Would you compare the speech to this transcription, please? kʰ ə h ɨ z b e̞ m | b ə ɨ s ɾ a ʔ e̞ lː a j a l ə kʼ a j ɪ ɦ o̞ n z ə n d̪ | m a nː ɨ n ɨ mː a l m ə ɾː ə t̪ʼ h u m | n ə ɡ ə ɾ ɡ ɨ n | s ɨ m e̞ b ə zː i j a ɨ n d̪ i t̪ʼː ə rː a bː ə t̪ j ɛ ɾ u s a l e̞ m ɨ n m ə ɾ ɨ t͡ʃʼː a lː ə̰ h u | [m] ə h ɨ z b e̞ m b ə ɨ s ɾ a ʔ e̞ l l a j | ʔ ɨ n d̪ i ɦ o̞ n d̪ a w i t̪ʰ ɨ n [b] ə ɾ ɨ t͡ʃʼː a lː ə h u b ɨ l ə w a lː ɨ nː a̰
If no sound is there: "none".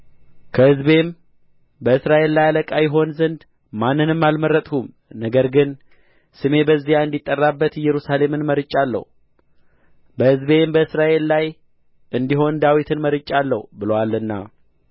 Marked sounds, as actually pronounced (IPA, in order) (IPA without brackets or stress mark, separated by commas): b, m